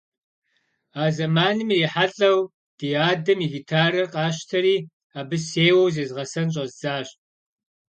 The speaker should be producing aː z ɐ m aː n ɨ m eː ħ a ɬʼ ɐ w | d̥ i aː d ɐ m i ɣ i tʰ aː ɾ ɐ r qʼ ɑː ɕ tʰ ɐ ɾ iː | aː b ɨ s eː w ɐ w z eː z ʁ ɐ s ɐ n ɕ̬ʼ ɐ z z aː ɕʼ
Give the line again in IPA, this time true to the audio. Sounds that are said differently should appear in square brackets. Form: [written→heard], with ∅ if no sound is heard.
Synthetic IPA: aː z ɐ m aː n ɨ m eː ħ a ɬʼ ɐ w | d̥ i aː d ɐ m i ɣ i tʰ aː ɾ ɐ r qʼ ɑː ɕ tʰ ɐ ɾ iː | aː b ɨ s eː w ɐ w z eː z ʁ ɐ s ɐ n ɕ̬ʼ ɐ z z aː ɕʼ